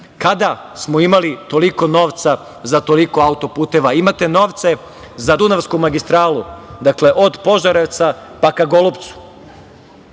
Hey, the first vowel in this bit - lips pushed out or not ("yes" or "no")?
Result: no